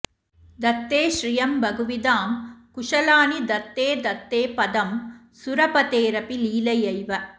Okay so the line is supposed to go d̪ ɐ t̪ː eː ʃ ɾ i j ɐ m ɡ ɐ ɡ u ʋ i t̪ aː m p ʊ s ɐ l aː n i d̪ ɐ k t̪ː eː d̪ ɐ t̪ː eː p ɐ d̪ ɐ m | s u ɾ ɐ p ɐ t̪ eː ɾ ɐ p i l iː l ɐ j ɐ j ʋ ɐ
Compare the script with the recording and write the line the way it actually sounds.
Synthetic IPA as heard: d̪ ɐ t̪ː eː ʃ ɾ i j ɐ m b ɐ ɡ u ʋ i d̪ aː m k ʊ ʂ ɐ l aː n i d̪ ɐ t̪ː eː d̪ ɐ t̪ː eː p ɐ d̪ ɐ m | s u ɾ ɐ p ɐ t̪ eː ɾ ɐ p i l iː l ɐ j ɐ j ʋ ɐ